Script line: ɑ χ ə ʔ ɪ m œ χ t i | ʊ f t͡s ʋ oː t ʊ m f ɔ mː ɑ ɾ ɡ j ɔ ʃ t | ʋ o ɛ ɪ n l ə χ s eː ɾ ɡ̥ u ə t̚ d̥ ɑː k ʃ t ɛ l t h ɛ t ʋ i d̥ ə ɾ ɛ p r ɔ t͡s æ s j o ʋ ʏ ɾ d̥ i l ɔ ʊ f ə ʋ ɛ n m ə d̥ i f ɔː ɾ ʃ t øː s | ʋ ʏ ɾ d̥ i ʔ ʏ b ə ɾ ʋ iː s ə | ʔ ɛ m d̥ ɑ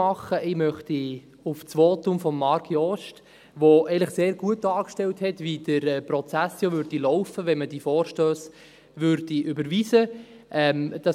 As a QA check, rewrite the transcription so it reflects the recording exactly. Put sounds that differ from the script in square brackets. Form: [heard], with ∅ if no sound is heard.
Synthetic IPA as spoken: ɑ χ ə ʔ ɪ m œ χ t i | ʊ f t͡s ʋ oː t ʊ m f ɔ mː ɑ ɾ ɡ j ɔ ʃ t | ʋ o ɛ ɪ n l ə χ s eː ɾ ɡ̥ u ə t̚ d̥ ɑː k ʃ t ɛ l t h ɛ t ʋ i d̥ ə ɾ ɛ p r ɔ t͡s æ s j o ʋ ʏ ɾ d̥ i l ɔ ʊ f ə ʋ ɛ n m ə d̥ i f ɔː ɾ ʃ t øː s | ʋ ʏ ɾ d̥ i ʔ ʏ b ə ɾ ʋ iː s ə | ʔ ɛ m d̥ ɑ